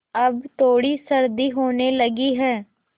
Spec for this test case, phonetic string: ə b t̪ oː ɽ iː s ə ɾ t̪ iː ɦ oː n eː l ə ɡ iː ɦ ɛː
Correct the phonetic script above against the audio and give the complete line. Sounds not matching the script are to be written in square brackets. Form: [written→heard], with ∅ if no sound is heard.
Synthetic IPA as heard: ə b t̪ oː ɽ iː s ə ɾ [t̪→d̪] iː ɦ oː n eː l ə ɡ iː ɦ ɛː